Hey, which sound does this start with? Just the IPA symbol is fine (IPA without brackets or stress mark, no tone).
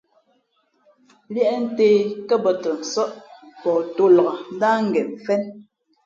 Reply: l